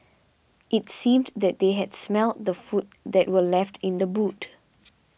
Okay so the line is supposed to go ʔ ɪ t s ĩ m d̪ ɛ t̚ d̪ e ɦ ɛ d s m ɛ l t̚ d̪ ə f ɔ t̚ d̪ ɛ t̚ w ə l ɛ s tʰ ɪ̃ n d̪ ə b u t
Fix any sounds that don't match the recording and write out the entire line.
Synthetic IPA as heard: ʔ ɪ t s ĩ m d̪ ɛ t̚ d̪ e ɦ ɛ d s m ɛ l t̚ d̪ ə f u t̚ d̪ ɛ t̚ w ə l ɛ f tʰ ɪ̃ n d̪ ə b u t